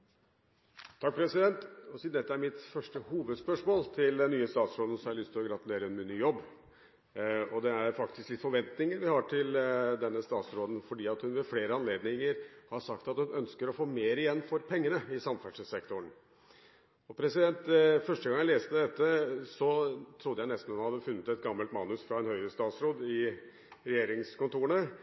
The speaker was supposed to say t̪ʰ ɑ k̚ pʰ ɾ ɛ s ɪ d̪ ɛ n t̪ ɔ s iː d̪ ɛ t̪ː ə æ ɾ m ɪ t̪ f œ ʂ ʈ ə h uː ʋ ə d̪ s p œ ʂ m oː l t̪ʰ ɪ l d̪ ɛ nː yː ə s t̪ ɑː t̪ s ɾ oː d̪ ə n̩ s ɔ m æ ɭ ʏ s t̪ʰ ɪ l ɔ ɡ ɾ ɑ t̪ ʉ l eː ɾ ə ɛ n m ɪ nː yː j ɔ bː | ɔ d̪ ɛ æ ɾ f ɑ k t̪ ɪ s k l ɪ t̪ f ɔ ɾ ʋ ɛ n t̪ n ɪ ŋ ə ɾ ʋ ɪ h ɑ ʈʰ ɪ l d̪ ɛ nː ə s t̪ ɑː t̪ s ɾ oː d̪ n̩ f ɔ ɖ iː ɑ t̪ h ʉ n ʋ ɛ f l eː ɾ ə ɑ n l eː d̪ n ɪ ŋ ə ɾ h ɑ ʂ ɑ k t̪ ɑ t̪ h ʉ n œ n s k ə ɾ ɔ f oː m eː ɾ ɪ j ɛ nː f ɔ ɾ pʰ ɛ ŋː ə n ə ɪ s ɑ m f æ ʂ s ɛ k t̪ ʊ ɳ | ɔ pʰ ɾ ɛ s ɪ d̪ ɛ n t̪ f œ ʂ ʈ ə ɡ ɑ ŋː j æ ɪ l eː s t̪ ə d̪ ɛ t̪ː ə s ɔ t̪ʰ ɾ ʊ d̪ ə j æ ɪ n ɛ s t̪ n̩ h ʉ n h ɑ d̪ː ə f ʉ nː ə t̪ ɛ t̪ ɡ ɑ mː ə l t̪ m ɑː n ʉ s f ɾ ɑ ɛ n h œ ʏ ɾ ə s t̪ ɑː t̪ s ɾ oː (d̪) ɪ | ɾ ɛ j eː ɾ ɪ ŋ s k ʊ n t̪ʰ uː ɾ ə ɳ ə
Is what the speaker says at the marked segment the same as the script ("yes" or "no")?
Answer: yes